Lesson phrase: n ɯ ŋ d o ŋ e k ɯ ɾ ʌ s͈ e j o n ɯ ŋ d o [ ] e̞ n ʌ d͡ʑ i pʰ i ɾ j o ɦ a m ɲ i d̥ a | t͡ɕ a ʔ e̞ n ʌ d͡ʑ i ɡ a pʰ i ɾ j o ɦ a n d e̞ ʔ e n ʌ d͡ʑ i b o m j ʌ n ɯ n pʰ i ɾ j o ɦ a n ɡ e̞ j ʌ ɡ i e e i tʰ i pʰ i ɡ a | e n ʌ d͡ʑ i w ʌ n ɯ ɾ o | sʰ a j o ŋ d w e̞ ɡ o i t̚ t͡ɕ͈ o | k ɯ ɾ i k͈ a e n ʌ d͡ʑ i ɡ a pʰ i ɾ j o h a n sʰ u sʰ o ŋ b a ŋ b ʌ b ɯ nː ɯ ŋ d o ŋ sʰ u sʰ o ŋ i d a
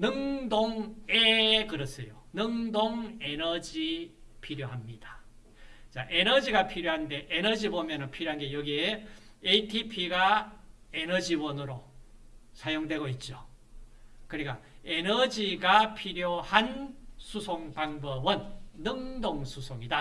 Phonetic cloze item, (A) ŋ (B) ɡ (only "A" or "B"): A